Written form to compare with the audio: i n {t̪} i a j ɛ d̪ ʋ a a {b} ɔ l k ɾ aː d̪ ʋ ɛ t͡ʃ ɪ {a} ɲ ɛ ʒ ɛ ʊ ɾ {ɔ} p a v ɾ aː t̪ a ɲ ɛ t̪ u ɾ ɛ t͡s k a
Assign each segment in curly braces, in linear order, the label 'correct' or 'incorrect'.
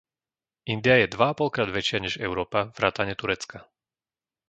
incorrect: d̪, incorrect: p, correct, incorrect: ɔː

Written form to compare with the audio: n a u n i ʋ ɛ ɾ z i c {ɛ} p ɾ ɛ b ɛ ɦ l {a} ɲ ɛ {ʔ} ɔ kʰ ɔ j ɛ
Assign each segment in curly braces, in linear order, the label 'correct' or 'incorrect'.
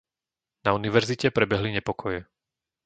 correct, incorrect: i, incorrect: p

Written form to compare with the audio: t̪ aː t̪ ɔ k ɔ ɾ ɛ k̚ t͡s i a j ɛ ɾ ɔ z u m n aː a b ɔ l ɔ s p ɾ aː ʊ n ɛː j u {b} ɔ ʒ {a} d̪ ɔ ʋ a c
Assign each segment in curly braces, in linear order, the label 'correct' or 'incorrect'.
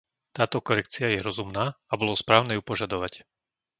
incorrect: p, correct

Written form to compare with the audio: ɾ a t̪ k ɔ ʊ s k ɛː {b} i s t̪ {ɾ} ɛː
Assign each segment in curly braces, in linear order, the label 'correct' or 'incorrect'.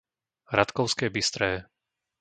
correct, correct

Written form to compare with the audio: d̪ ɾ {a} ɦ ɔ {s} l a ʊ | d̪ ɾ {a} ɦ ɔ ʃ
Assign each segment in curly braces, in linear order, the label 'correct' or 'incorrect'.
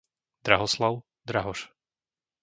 correct, correct, correct

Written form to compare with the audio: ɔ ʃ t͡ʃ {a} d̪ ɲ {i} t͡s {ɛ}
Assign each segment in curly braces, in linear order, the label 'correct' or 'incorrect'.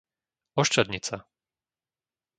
correct, correct, incorrect: a

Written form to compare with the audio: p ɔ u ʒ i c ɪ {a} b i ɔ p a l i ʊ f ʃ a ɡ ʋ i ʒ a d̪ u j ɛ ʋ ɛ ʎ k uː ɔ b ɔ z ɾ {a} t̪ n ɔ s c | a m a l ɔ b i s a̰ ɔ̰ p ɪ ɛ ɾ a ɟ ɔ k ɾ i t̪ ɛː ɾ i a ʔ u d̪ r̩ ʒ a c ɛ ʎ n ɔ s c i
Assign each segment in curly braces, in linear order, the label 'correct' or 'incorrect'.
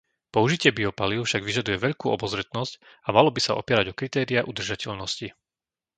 incorrect: ɛ, incorrect: ɛ

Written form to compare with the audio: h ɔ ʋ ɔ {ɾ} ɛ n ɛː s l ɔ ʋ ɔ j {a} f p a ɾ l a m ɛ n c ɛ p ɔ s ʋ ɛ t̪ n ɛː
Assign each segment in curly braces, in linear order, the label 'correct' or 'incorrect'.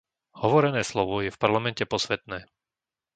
correct, incorrect: ɛ

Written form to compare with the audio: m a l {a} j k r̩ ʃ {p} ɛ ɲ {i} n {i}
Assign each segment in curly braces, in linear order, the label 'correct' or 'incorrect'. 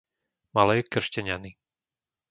incorrect: ɛ, incorrect: c, incorrect: a, correct

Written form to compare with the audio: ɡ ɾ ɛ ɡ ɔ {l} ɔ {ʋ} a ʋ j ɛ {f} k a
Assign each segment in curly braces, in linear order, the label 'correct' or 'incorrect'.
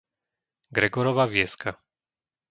incorrect: ɾ, correct, incorrect: s

